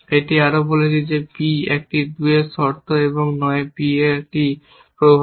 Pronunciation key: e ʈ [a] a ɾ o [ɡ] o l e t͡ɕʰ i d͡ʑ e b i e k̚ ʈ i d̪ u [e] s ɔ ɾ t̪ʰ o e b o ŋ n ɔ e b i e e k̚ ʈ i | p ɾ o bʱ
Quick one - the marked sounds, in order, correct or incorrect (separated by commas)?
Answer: incorrect, incorrect, correct